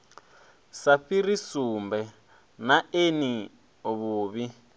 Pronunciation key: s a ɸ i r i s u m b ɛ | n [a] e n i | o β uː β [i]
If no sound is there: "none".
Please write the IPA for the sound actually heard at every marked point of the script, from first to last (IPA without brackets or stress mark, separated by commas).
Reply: a, i